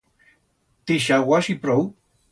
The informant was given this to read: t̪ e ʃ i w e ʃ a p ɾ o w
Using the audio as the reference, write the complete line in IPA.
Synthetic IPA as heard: t̪ i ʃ a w a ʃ i p ɾ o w